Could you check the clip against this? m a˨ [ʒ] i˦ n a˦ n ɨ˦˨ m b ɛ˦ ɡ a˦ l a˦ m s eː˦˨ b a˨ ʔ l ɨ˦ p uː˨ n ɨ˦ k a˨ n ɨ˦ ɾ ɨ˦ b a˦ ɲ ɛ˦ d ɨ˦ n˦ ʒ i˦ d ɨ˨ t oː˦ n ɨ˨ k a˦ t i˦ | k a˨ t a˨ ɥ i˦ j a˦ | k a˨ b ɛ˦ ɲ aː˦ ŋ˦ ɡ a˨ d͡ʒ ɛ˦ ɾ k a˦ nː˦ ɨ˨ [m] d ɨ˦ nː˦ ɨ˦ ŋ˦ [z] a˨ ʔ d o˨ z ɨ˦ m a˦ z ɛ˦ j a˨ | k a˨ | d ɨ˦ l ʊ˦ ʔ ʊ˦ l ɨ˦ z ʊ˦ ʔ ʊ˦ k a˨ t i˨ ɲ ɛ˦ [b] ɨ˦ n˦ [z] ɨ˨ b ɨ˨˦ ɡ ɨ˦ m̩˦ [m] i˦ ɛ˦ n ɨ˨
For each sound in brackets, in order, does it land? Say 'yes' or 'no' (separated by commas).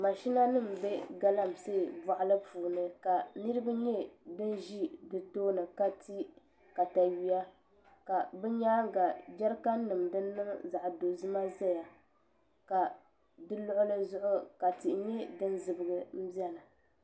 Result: no, yes, yes, no, yes, no